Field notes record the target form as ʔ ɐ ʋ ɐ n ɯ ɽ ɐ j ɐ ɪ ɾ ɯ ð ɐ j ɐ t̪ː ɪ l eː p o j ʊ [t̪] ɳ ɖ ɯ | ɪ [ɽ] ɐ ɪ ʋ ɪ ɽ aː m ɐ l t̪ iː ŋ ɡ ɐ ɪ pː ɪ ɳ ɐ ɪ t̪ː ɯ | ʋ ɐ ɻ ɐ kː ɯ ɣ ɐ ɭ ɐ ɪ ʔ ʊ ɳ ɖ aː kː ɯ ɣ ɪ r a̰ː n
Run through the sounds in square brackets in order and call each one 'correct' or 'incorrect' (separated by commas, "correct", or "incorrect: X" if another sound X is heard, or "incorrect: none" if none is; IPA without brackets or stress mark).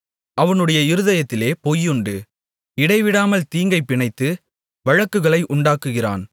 incorrect: none, correct